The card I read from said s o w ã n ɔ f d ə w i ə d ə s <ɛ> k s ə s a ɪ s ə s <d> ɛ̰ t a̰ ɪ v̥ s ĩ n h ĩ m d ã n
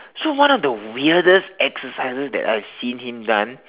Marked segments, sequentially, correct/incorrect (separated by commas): correct, correct